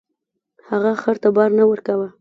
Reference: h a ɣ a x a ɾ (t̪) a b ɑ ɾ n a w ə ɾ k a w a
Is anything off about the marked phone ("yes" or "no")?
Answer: no